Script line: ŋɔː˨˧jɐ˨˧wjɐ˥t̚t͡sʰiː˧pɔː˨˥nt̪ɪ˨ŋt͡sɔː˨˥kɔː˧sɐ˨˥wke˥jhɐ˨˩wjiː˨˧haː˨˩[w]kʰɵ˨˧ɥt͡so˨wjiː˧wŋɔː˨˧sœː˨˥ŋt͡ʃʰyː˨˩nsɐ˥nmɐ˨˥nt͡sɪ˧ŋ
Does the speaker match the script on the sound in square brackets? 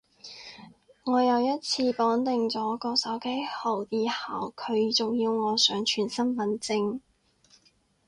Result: yes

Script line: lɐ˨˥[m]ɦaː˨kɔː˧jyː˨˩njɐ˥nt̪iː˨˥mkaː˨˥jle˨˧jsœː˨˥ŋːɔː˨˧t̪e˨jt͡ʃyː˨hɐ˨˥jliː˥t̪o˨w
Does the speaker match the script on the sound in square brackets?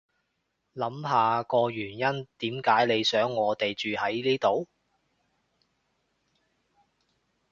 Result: yes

